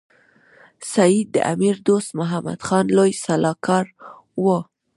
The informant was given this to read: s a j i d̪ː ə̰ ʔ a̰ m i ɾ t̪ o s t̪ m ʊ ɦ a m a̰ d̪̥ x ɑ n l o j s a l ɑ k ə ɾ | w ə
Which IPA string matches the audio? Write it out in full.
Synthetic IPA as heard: s a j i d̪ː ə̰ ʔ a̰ m i ɾ d̪ o s t̪ m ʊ ɦ a m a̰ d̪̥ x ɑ n l o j s a l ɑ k ɑ ɾ | w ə